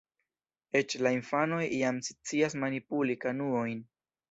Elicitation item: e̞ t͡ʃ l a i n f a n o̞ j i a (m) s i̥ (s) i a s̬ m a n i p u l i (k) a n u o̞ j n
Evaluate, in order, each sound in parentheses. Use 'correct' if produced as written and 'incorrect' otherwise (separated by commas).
correct, incorrect, correct